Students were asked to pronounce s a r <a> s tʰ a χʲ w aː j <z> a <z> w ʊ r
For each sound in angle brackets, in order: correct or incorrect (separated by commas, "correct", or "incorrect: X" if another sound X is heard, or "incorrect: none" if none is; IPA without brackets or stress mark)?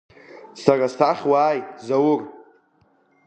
correct, correct, incorrect: none